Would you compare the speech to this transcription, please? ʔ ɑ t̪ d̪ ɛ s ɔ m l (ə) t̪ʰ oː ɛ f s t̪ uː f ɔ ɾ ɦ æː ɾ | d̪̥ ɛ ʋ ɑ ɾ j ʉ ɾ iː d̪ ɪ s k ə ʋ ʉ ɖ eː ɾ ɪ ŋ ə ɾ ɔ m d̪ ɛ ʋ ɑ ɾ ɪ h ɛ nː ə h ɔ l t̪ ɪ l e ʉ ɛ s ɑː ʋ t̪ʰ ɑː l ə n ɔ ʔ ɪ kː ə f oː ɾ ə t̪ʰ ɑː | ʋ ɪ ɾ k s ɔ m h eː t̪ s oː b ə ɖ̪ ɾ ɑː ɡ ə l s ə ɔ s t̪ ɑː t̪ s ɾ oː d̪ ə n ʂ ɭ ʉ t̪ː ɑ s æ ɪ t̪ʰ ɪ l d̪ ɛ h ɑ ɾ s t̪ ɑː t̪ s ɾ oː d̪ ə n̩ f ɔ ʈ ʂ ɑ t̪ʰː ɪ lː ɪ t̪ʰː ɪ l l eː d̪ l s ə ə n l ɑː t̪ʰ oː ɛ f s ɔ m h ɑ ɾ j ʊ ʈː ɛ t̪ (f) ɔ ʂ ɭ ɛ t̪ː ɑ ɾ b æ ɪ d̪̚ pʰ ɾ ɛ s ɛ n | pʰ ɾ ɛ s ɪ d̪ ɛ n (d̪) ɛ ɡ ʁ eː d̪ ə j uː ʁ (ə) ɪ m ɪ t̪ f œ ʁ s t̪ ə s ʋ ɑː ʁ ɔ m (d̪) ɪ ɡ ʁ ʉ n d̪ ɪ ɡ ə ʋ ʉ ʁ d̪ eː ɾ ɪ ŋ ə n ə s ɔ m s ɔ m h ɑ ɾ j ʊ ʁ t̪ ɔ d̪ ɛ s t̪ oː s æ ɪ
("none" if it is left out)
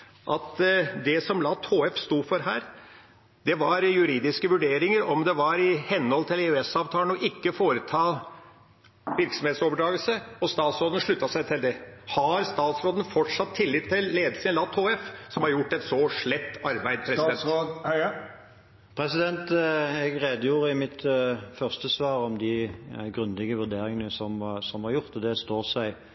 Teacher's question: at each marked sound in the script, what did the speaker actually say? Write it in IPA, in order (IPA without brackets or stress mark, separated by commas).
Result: ɑ, s, t̪, ə, d̪